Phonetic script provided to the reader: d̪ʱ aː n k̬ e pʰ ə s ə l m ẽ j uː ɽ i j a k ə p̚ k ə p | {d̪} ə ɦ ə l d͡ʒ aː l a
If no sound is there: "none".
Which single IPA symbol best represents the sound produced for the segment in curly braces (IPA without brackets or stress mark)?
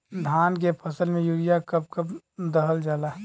d̪